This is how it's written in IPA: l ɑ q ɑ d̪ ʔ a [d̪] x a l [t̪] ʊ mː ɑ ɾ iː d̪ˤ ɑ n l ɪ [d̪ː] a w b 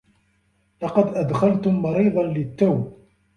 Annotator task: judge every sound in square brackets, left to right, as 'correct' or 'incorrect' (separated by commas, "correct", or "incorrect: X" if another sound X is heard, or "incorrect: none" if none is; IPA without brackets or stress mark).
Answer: correct, correct, incorrect: t̪ː